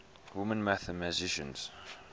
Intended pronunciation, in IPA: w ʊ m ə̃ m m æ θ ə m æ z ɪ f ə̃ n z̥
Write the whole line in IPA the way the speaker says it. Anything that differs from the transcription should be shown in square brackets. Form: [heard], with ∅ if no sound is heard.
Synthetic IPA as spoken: w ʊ m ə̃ [n] m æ θ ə m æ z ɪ [ʃ] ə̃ n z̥